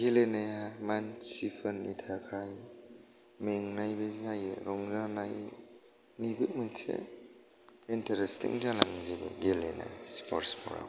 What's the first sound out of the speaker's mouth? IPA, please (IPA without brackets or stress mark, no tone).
ɡ